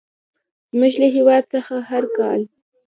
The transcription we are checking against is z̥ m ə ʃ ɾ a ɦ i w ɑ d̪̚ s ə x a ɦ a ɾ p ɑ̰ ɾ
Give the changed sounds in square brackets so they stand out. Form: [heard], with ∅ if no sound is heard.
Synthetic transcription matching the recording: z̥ m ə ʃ [l] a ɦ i w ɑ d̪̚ s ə x a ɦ a ɾ [k] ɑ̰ [l]